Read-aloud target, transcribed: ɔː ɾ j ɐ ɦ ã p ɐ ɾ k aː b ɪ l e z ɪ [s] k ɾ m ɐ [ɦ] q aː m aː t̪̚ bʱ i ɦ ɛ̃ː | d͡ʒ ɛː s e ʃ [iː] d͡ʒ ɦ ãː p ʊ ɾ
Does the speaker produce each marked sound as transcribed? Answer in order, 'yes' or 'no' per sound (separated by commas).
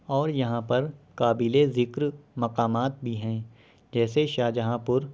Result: no, no, no